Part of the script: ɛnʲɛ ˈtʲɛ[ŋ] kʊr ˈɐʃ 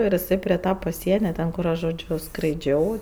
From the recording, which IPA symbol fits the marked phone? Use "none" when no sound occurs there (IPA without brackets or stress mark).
n